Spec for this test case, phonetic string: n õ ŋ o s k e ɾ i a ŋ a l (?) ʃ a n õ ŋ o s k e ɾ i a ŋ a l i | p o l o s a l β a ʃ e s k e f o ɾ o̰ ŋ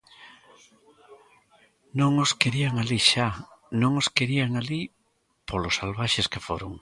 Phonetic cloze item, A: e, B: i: B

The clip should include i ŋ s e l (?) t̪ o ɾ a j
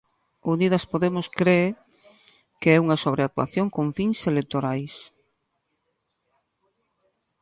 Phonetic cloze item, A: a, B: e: B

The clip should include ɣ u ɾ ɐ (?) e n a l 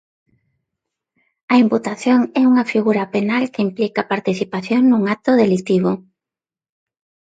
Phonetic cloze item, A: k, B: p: B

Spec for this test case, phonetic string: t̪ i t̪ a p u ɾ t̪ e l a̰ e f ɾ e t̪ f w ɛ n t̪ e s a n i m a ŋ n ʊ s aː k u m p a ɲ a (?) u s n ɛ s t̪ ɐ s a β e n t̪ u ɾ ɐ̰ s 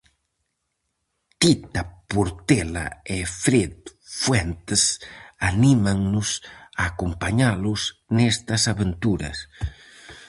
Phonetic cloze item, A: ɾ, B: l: B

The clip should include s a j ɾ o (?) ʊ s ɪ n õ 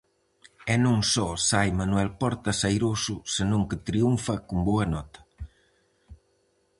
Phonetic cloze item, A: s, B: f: A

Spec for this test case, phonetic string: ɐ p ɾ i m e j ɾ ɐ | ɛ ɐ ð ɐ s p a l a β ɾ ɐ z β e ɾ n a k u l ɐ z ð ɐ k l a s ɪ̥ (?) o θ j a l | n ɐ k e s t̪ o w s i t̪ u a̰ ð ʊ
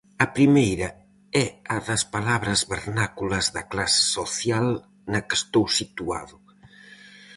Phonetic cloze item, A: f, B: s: B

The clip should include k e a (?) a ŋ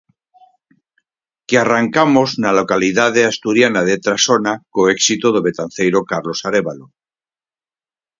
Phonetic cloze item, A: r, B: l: A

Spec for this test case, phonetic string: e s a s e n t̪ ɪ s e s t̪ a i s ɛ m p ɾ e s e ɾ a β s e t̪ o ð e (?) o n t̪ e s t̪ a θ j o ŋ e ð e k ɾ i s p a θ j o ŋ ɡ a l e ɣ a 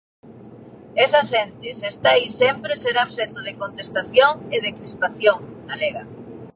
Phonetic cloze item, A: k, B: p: A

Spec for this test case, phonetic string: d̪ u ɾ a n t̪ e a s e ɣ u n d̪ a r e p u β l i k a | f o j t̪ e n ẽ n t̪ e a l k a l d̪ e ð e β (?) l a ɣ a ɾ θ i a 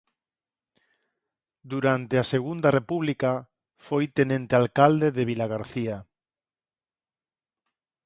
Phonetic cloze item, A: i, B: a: A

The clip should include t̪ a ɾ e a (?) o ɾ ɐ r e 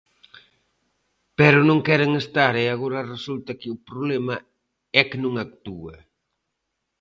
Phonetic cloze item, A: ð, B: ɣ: B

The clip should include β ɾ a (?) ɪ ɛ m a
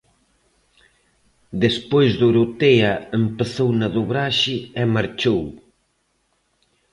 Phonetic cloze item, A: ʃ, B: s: A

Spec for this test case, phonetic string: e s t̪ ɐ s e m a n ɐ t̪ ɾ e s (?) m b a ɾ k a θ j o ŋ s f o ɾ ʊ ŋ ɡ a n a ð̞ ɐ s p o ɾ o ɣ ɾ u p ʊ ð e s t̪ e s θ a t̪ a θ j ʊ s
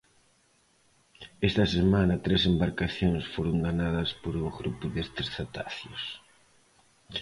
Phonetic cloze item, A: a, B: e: B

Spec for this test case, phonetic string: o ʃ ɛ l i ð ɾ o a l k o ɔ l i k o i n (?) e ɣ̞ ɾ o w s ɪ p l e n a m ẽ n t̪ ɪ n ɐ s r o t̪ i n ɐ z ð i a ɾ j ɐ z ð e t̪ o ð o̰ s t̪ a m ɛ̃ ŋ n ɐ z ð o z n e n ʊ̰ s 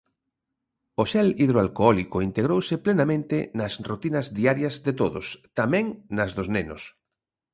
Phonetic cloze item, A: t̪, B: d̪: A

